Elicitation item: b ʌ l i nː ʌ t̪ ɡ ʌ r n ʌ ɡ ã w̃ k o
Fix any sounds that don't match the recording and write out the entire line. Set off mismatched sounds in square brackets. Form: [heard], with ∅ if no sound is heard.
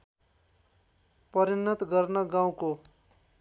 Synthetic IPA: [p] ʌ [ɾ] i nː ʌ t̪ ɡ ʌ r n ʌ ɡ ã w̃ k o